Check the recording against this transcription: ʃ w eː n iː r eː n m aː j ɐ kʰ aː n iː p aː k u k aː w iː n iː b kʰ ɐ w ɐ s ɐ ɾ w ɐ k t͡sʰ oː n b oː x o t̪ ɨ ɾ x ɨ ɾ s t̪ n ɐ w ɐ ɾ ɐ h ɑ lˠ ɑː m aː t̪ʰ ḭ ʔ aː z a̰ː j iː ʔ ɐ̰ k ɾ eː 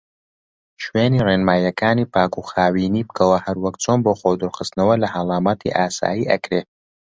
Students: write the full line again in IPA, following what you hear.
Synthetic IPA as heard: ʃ w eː n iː r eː n m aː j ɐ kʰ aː n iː p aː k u x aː w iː n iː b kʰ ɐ w ɐ h ɐ ɾ w ɐ k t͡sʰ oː n b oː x o d̪ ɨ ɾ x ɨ s t̪ n ɐ w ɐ l ɐ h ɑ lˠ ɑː m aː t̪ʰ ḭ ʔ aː s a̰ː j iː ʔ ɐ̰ k ɾ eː